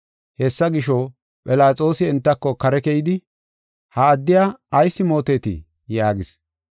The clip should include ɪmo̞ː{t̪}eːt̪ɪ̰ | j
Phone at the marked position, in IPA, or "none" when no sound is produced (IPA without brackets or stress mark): t̪